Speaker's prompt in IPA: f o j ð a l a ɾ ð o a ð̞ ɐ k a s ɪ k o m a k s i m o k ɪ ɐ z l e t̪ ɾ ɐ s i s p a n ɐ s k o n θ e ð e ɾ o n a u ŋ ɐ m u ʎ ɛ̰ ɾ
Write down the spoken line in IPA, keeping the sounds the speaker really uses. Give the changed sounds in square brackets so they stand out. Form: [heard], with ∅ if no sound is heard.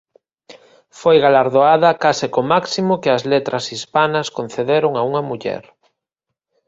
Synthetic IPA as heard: f o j [ɣ] a l a ɾ ð o a ð̞ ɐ k a s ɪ k o m a k s i m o k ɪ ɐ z l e t̪ ɾ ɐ s i s p a n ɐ s k o n θ e ð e ɾ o [ŋ] a u ŋ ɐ m u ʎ ɛ̰ ɾ